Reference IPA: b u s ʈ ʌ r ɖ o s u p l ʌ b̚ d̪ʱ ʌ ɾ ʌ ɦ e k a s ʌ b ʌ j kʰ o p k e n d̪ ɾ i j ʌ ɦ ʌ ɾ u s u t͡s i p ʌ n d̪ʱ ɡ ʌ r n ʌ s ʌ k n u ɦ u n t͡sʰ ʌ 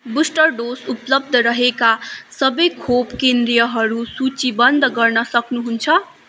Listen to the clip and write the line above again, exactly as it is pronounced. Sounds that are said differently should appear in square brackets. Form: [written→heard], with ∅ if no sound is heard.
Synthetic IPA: b u s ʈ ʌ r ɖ o s u p l ʌ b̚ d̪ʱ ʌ ɾ ʌ ɦ e k a s ʌ b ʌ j kʰ o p k e n d̪ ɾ i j ʌ ɦ ʌ ɾ u s u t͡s i [p→b] ʌ n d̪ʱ ɡ ʌ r n ʌ s ʌ k n u ɦ u n t͡sʰ ʌ